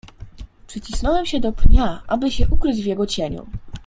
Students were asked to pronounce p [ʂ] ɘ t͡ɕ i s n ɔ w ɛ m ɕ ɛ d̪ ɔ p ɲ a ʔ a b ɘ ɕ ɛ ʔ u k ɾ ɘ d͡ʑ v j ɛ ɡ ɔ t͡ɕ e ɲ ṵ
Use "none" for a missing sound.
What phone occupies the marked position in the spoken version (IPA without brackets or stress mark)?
ʂ